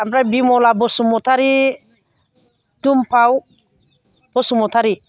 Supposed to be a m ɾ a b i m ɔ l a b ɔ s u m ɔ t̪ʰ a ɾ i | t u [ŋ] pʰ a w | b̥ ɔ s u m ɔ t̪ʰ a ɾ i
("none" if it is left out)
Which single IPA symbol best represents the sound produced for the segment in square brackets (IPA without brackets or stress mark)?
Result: m